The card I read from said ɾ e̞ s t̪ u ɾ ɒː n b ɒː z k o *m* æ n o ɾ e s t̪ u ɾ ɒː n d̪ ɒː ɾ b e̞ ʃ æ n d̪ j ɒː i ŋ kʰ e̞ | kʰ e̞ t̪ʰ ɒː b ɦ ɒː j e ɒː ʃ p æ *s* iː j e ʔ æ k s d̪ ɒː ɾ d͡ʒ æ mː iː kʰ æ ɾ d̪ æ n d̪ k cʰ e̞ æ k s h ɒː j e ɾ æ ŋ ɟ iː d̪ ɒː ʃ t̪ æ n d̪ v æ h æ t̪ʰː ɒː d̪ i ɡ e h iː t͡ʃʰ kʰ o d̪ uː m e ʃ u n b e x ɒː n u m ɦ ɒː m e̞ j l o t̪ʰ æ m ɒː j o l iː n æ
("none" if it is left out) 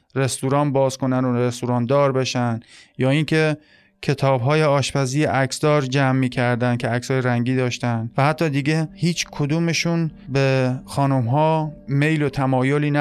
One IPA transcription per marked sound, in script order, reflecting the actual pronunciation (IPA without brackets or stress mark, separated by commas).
n, z